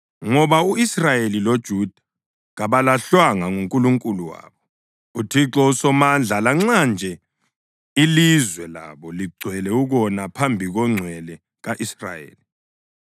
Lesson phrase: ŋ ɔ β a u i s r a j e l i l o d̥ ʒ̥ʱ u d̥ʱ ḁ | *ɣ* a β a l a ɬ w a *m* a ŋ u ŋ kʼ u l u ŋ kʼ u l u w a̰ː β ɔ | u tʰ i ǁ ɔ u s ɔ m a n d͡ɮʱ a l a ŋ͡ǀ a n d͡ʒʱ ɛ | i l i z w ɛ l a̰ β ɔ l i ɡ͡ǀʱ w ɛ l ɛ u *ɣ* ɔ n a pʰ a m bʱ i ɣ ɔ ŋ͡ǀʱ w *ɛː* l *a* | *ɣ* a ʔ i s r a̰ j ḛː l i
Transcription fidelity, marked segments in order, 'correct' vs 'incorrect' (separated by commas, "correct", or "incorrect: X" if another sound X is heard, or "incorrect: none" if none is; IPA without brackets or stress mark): correct, incorrect: ŋ, correct, incorrect: ɛ, incorrect: ɛ, correct